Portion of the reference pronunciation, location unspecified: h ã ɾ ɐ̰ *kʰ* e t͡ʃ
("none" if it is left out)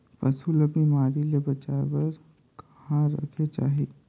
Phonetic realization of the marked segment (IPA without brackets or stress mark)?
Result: kʰ